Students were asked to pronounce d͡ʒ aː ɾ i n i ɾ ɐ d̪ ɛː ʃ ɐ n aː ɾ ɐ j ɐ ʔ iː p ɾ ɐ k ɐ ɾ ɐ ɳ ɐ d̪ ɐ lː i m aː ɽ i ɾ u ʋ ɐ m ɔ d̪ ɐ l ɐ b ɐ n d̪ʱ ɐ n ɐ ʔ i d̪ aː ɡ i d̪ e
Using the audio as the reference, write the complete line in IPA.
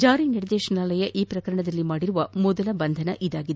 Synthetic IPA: d͡ʒ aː ɾ i n i ɾ ɐ d̪ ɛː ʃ ɐ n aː l ɐ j ɐ ʔ iː p ɾ ɐ k ɐ ɾ ɐ ɳ ɐ d̪ ɐ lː i m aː ɽ i ɾ u ʋ ɐ m ɔ d̪ ɐ l ɐ b ɐ n d̪ʱ ɐ n ɐ ʔ i d̪ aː ɡ i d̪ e